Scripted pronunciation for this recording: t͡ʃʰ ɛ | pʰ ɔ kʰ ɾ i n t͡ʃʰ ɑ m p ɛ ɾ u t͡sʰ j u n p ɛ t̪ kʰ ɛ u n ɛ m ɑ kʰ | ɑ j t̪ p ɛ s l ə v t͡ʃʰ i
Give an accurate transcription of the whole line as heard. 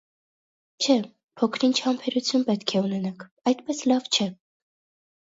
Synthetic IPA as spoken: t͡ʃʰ ɛ | pʰ ɔ kʰ ɾ i n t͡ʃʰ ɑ m pʰ ɛ ɾ u t͡sʰ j u n p ɛ t̪ kʰ ɛ u n ɛ n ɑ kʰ | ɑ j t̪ p ɛ s l ɑ v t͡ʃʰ ɛ